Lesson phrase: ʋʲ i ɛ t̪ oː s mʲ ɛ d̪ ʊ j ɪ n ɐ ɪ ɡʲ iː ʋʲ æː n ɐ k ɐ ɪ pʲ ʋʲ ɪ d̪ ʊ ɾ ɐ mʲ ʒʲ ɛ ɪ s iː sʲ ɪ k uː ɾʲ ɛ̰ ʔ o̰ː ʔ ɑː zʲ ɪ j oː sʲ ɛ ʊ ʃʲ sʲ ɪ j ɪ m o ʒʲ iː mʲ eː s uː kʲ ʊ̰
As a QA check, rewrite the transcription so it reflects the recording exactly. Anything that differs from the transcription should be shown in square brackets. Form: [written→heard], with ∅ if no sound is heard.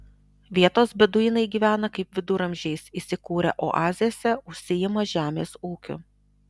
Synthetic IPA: ʋʲ i ɛ t̪ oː s [mʲ→bʲ] ɛ d̪ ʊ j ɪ n ɐ ɪ ɡʲ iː ʋʲ æː n ɐ k ɐ ɪ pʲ ʋʲ ɪ d̪ ʊ ɾ ɐ mʲ ʒʲ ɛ ɪ s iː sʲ ɪ k uː ɾʲ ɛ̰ ʔ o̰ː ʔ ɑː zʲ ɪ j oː sʲ ɛ ʊ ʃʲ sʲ ɪ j ɪ m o ʒʲ [iː→æː] mʲ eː s uː kʲ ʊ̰